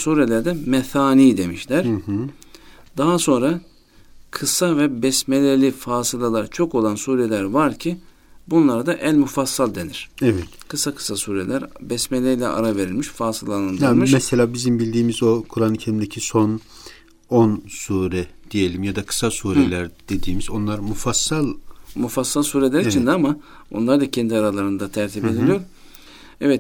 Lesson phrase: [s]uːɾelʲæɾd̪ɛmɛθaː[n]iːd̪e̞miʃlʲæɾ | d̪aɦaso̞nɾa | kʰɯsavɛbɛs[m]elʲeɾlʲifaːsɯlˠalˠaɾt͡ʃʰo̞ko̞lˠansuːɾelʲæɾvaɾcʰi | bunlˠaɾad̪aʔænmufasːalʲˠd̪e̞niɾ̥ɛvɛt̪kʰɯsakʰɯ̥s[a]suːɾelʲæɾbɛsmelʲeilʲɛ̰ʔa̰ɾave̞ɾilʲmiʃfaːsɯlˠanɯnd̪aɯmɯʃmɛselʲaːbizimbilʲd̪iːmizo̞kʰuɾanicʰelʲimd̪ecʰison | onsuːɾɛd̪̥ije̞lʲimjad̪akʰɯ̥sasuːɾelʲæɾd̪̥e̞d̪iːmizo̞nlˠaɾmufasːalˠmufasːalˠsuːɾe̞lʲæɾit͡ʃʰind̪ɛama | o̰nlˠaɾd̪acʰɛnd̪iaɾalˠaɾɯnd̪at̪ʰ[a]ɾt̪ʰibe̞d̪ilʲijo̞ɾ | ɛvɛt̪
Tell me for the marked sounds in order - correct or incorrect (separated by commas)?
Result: correct, correct, correct, correct, incorrect